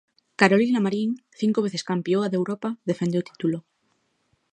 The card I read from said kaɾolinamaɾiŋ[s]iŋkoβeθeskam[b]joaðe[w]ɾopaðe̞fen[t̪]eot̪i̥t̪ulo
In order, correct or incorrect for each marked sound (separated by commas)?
incorrect, incorrect, correct, incorrect